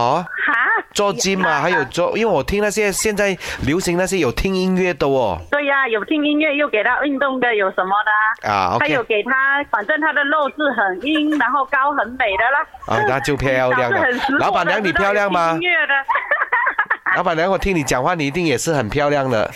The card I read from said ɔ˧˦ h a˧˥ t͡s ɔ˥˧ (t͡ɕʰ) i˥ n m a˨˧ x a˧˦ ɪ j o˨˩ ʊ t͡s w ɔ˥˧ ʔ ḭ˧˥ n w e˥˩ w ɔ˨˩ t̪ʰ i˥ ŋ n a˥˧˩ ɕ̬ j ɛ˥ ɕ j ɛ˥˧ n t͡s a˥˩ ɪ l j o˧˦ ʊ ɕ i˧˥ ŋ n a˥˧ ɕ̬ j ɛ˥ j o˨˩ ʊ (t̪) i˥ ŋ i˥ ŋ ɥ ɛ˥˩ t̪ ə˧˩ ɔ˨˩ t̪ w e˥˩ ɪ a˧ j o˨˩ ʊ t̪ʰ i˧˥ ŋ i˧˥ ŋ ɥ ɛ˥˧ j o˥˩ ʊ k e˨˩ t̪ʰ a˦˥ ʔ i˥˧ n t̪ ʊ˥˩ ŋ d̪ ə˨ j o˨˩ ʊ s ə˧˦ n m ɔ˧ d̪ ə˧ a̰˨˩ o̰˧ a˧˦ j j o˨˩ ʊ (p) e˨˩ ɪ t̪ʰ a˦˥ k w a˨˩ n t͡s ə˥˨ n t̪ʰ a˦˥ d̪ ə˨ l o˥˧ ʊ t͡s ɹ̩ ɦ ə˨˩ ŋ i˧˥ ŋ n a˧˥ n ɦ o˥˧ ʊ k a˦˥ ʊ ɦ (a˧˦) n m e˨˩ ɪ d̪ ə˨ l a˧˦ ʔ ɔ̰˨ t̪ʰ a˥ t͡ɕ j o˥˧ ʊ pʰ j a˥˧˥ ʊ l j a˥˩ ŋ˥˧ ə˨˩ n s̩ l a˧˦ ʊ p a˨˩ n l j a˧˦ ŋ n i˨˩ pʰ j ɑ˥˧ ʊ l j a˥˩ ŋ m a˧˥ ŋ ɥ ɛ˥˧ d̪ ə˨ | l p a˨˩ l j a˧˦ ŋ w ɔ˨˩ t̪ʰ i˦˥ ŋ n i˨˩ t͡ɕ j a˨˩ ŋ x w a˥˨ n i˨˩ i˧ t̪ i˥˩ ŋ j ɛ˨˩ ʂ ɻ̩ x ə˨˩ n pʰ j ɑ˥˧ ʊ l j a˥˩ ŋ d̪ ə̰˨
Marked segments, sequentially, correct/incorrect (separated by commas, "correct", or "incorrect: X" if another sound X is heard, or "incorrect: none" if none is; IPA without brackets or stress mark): incorrect: t͡ɕ, incorrect: t̪ʰ, incorrect: k, incorrect: ə˧˦